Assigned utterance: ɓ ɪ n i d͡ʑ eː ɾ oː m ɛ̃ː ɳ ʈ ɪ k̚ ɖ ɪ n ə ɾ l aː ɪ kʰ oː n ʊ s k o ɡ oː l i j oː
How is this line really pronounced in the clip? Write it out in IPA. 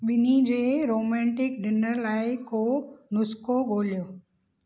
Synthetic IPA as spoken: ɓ ɪ n i d͡ʑ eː ɾ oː m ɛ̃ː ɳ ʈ ɪ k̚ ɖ ɪ n ə ɾ l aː ɪ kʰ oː n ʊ s k o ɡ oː l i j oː